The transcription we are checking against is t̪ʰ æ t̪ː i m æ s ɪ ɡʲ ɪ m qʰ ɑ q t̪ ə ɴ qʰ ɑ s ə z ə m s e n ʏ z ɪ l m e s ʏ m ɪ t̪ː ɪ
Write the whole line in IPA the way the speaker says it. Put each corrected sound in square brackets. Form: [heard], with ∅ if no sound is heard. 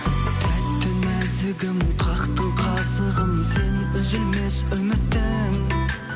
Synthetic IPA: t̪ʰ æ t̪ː [ɪ] m æ [z] ɪ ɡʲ ɪ m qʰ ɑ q t̪ ə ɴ qʰ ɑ s ə [ʁ] ə m s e n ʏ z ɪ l m e s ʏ m ɪ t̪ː ɪ